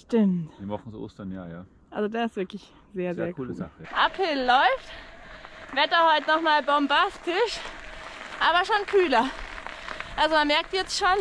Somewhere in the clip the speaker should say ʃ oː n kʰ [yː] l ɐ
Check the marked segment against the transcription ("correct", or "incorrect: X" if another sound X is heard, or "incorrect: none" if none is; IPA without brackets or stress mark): correct